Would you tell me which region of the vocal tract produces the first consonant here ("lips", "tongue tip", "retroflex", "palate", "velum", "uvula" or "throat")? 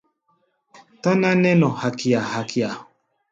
tongue tip